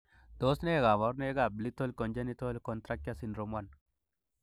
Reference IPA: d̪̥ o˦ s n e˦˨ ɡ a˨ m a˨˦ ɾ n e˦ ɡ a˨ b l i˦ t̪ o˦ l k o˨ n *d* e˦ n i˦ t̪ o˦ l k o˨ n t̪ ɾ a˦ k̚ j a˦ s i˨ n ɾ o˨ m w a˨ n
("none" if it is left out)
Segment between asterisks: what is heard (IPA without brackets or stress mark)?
d͡ʒ